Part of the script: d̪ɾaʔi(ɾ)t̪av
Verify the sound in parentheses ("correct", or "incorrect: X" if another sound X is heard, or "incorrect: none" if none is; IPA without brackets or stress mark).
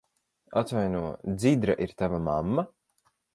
correct